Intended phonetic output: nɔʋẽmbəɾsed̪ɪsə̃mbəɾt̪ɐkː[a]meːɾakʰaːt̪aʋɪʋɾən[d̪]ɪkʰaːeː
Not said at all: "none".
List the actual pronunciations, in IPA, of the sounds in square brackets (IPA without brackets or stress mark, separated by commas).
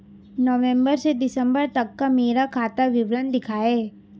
a, d̪